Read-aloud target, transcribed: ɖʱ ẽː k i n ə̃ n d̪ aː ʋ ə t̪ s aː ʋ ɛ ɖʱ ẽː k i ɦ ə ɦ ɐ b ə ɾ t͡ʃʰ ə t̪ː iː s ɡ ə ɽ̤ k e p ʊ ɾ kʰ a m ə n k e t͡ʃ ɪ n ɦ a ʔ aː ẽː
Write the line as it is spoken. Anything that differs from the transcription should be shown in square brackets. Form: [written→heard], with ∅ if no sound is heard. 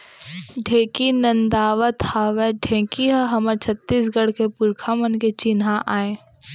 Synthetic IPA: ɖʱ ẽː k i n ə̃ n d̪ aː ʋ ə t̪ [s→h] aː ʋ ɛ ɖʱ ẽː k i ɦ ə ɦ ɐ [b→m] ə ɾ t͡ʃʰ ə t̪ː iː s ɡ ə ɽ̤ k e p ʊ ɾ kʰ a m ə n k e t͡ʃ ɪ n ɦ a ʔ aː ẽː